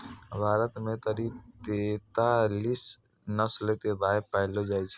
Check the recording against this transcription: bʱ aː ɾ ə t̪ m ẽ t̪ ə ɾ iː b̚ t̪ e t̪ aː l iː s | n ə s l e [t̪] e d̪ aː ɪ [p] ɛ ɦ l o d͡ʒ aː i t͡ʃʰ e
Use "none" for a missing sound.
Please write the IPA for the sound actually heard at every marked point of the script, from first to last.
t̪, p

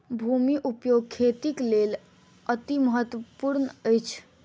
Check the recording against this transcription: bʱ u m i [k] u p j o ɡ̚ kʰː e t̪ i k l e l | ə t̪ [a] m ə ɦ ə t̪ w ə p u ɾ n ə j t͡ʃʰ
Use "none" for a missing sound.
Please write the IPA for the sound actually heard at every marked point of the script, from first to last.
ʔ, i

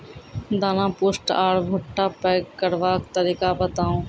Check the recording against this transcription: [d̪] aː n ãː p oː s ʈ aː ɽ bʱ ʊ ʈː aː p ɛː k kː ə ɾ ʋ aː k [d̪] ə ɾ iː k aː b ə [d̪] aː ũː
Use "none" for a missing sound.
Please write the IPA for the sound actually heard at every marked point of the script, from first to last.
d̪, t̪, t̪

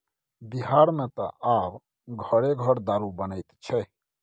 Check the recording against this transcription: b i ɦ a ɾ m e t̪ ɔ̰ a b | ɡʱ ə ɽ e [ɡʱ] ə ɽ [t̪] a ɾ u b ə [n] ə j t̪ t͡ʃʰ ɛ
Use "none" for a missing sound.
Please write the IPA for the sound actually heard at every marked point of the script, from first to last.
ɡʱ, d̪, n

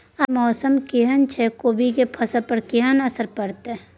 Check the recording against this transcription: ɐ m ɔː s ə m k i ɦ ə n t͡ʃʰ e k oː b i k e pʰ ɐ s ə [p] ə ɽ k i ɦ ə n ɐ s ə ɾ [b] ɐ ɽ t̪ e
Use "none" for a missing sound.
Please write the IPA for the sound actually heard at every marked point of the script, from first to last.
p, p

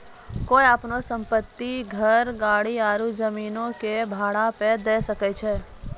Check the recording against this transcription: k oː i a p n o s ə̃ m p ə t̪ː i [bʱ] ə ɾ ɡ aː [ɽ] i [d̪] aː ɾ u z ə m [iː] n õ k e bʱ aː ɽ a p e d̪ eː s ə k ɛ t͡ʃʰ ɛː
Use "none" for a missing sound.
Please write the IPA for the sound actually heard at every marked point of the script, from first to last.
ɡʱ, ɽ, none, iː

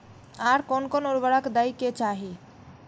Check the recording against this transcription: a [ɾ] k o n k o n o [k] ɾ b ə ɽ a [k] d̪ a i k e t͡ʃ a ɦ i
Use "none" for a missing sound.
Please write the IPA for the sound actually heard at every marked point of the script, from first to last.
ɾ, none, k

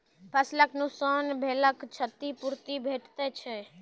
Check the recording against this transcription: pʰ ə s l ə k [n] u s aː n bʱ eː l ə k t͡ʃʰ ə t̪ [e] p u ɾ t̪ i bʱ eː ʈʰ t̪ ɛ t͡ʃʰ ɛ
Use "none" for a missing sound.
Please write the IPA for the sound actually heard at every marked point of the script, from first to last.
n, i

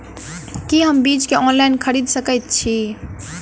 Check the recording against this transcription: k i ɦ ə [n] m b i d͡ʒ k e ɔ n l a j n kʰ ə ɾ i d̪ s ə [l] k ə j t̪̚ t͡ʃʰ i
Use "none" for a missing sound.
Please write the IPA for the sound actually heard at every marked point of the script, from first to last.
none, none

